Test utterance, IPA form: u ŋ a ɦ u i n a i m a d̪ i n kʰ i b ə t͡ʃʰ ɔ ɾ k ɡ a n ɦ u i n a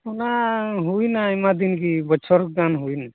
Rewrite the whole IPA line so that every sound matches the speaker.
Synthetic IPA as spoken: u n a ɦ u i n a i m a d̪ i n k i b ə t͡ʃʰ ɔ ɾ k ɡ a n ɦ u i n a